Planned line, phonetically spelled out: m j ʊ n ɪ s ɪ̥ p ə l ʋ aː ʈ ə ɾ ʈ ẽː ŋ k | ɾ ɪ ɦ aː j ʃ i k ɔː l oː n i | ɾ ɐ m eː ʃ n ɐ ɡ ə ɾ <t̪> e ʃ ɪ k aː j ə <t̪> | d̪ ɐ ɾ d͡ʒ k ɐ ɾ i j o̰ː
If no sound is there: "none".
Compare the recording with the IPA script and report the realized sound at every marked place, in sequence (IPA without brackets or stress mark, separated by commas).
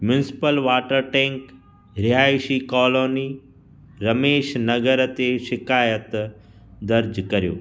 t̪, t̪